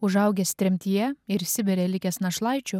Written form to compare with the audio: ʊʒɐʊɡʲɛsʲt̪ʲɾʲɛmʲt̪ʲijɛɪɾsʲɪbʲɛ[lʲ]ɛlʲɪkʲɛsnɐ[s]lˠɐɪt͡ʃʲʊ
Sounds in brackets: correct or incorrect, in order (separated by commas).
incorrect, incorrect